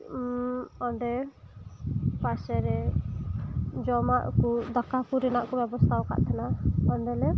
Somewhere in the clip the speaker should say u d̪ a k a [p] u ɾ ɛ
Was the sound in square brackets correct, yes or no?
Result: no